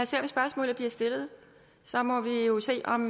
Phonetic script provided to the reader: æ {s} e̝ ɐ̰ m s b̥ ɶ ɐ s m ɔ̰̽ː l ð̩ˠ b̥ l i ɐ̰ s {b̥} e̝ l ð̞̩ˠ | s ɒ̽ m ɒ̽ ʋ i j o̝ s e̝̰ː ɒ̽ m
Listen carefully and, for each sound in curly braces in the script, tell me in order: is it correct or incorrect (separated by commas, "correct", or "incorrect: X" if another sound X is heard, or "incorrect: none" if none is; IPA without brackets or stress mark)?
correct, incorrect: d̥